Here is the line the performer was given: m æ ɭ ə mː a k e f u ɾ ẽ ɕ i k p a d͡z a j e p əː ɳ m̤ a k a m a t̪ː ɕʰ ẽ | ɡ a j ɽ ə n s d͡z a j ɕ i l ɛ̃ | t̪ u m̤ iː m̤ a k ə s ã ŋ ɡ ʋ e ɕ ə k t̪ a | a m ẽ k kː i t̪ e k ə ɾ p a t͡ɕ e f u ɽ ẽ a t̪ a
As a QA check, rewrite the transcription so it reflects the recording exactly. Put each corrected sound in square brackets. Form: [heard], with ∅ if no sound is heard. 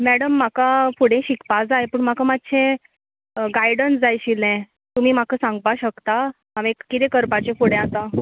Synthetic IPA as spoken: m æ [ɽ] ə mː a k [a] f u [ɽ] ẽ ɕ i k p a d͡z a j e p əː ɳ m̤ a k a m a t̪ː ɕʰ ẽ | ɡ a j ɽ ə n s d͡z a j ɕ i l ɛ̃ | t̪ u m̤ iː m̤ a k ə s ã ŋ ɡ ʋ [a] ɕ ə k t̪ a | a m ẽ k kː i t̪ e k ə ɾ p a t͡ɕ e f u ɽ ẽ a t̪ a